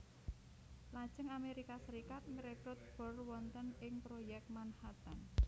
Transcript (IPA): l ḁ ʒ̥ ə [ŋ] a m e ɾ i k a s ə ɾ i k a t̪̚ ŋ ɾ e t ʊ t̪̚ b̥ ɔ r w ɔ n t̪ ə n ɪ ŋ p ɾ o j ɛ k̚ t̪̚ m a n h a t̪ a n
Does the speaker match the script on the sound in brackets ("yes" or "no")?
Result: yes